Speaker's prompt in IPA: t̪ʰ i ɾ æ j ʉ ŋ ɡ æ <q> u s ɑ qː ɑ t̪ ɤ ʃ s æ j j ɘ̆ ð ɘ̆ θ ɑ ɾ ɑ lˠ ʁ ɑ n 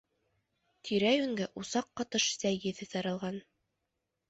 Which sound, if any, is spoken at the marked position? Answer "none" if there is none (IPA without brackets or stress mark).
ʔ